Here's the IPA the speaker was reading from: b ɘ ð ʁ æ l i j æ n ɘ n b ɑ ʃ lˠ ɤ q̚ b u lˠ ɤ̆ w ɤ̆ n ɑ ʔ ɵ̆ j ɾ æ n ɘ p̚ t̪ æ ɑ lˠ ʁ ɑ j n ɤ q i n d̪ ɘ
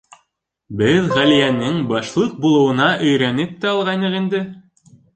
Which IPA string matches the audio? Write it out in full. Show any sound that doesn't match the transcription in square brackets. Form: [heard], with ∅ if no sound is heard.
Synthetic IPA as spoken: b ɘ ð ʁ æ l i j æ n ɘ [ŋ] b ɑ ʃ lˠ ɤ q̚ b u lˠ ɤ̆ w ɤ̆ n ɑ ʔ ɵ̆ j ɾ æ n ɘ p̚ t̪ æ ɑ lˠ ʁ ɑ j n ɤ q i n d̪ ɘ